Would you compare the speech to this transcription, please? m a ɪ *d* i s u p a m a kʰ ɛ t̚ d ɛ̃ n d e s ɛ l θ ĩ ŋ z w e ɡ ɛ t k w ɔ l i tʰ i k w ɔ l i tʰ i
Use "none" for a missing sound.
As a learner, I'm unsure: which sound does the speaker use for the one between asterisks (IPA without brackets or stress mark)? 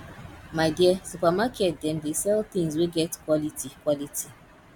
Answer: d